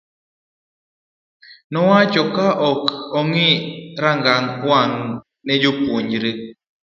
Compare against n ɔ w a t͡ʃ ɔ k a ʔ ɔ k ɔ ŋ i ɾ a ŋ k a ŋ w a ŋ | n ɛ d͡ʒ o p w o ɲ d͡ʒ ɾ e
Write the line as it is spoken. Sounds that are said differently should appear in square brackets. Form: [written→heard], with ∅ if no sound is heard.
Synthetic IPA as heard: n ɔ w a t͡ʃ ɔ k a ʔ ɔ k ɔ ŋ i ɾ a ŋ [k→ɡ] a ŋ w a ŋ | n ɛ d͡ʒ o p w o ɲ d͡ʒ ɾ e

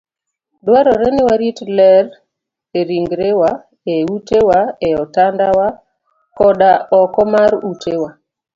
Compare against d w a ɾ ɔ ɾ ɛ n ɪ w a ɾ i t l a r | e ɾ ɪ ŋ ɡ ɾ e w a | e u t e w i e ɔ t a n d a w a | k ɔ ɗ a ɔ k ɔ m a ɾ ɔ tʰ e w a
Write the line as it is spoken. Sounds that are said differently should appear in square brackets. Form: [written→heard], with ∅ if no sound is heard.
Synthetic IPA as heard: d w a ɾ ɔ ɾ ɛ n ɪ w a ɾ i t l [a→ɛ] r | e ɾ [ɪ→i] ŋ ɡ ɾ e w a | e u t e w [i→a] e ɔ t a n d a w a | k ɔ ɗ a ɔ k ɔ m a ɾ [ɔ→u] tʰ e w a

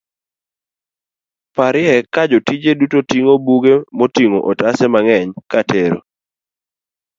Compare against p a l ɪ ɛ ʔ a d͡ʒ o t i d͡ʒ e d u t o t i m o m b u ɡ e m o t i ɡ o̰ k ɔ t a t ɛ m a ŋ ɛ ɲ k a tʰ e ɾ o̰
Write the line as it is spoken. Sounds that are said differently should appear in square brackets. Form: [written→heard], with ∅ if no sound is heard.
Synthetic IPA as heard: p a [l→ɾ] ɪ ɛ [ʔ→k] a d͡ʒ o t i d͡ʒ e d u t o t i [m→ŋ] o [m→∅] b u ɡ e m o t i [ɡ→ŋ] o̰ [k→ʔ] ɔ t a [t→s] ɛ m a ŋ ɛ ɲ k a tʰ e ɾ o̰

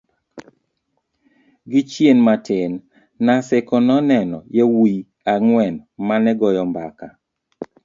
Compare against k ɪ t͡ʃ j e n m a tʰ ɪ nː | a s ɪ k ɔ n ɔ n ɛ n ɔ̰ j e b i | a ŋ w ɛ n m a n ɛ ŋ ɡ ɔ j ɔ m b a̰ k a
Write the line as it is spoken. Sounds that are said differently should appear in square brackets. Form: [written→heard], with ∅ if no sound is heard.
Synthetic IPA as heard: [k→ɡ] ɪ t͡ʃ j e n m a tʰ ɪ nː | a s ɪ k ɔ n ɔ n ɛ n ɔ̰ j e [b→w] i | a ŋ w ɛ n m a n ɛ [ŋ→∅] ɡ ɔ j ɔ m b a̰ k a

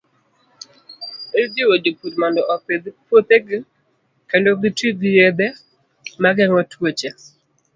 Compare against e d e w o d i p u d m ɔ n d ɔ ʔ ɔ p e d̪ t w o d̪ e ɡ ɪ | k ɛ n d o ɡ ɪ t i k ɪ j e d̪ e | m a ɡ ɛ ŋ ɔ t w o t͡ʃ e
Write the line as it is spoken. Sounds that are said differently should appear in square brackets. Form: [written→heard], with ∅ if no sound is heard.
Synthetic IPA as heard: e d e w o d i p u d m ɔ n d ɔ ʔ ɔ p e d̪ [t→p] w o [d̪→t̪] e ɡ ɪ | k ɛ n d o ɡ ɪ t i [k→ɡ] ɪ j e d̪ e | m a ɡ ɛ ŋ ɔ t w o t͡ʃ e

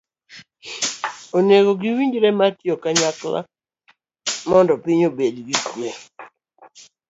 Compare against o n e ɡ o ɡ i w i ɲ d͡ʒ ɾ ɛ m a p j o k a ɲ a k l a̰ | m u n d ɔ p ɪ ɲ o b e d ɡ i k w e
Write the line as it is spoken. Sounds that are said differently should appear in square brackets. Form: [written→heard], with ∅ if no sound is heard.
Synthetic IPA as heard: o n e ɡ o ɡ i w i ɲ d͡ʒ ɾ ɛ m a [p→t] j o k a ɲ a k l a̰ | m [u→ɔ] n d ɔ p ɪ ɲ o b e d ɡ i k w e

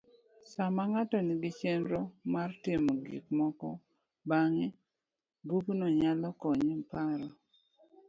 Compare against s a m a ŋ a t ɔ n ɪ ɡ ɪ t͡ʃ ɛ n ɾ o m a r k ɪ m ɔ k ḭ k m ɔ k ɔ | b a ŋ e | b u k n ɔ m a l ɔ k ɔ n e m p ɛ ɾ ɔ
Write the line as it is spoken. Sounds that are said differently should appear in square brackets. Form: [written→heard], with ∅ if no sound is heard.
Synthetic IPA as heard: s a m a ŋ a t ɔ n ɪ ɡ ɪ t͡ʃ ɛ n ɾ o m a r [k→t] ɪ m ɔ [k→ɡ] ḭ k m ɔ k ɔ | b a ŋ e | b u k n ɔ [m→ɲ] a l ɔ k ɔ [n→ɲ] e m p [ɛ→a] ɾ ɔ

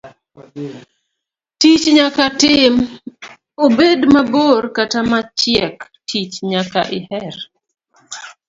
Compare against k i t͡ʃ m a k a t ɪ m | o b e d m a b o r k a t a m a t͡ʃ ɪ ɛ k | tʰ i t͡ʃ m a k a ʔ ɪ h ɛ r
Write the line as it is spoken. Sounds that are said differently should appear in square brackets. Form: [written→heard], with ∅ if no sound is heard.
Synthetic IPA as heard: [k→t] i t͡ʃ [m→ɲ] a k a t ɪ m | o b e d m a b o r k a t a m a t͡ʃ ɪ ɛ k | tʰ i t͡ʃ [m→ɲ] a k a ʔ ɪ h ɛ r

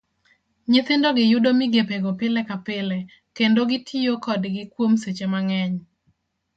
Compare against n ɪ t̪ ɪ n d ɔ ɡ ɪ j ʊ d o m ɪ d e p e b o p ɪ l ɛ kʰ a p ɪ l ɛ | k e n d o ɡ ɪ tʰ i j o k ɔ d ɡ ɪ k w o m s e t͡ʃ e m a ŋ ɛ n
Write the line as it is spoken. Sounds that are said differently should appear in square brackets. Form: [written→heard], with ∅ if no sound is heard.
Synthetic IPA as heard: [n→ɲ] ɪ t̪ ɪ n d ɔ ɡ ɪ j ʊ d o m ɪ [d→ɡ] e p e [b→ɡ] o p ɪ l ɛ [kʰ→k] a p ɪ l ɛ | k e n d o ɡ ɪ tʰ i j o k ɔ d ɡ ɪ k w o m s e t͡ʃ e m a ŋ ɛ [n→ɲ]

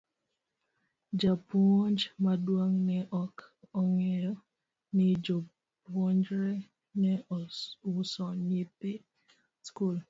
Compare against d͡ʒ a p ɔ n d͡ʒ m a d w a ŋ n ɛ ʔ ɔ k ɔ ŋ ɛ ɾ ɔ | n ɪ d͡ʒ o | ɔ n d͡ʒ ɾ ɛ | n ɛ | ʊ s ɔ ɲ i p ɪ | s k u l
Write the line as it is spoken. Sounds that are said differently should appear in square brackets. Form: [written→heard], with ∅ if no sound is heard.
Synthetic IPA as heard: d͡ʒ a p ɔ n d͡ʒ m a d w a ŋ n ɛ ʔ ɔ k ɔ ŋ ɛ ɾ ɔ | n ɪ d͡ʒ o | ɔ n d͡ʒ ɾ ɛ | n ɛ | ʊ s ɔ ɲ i p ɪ | s k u l

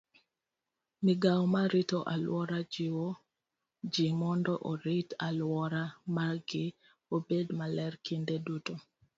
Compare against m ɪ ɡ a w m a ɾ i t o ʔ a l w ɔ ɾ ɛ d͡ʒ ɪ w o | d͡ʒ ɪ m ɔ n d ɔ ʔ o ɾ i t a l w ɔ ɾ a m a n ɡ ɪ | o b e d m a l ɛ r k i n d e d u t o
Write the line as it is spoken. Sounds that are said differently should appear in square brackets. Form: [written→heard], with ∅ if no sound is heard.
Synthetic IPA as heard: m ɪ ɡ a w m a ɾ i t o ʔ a l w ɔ ɾ [ɛ→a] d͡ʒ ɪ w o | d͡ʒ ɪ m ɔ n d ɔ ʔ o ɾ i t a l w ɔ ɾ a m a [n→∅] ɡ ɪ | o b e d m a l ɛ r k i n d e d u t o

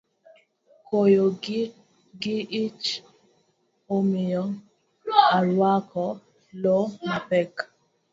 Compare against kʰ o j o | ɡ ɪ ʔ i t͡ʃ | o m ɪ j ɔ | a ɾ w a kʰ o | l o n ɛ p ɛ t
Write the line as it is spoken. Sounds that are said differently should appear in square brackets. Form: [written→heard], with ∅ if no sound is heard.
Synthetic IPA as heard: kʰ o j o | ɡ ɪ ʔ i t͡ʃ | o m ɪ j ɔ | a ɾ w a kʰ [o→ɔ] | l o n [ɛ→a] p ɛ [t→k]

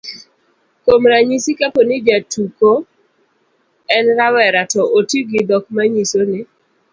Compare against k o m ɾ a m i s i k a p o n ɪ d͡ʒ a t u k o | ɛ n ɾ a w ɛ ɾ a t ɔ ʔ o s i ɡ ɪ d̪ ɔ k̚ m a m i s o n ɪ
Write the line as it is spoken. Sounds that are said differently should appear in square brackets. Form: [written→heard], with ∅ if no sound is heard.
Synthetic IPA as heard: k o m ɾ a [m→ɲ] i s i k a p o n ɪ d͡ʒ a t u k o | ɛ n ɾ a w ɛ ɾ a t ɔ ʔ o [s→t] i ɡ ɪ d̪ ɔ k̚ m a [m→ɲ] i s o n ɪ

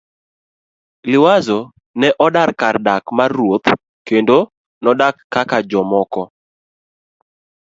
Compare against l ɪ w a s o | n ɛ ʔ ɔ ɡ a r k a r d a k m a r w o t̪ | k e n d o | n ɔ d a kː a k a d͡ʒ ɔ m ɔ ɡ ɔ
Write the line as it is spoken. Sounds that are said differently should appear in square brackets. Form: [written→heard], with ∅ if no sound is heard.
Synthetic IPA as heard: l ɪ w a [s→z] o | n ɛ ʔ ɔ [ɡ→d] a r k a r d a k m a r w o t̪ | k e n d o | n ɔ d a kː a k a d͡ʒ ɔ m ɔ [ɡ→k] ɔ

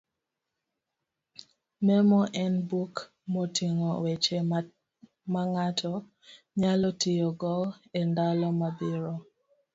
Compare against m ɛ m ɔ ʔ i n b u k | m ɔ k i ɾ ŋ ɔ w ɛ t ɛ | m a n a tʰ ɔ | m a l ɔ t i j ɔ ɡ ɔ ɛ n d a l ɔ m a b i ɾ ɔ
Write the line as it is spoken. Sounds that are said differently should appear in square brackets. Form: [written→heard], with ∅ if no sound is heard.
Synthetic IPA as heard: m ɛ m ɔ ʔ [i→ɛ] n b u k | m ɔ [k→t] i [ɾ→∅] ŋ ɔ w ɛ [t→t͡ʃ] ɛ | m a [n→ŋ] a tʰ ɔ | [m→ɲ] a l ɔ t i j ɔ ɡ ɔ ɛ n d a l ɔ m a b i ɾ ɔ

